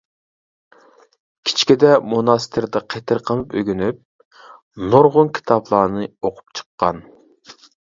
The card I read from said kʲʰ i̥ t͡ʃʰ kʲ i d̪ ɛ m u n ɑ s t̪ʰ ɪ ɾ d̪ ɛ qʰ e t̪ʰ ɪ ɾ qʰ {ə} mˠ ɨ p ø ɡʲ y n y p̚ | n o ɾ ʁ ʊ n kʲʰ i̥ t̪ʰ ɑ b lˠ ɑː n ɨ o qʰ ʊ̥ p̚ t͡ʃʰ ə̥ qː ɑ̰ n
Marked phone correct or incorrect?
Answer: correct